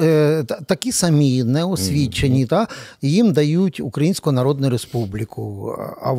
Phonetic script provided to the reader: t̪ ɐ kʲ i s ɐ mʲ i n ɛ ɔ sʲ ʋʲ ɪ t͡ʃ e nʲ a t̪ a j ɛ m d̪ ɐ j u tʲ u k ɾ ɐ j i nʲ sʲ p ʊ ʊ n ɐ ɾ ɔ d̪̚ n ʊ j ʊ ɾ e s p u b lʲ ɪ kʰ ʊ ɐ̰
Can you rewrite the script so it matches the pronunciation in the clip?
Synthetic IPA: t̪ ɐ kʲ i s ɐ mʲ i n ɛ ɔ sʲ ʋʲ i t͡ʃ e nʲ i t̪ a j i m d̪ ɐ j u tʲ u k ɾ ɐ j i nʲ sʲ k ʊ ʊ n ɐ ɾ ɔ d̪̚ n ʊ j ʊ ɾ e s p u b lʲ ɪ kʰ ʊ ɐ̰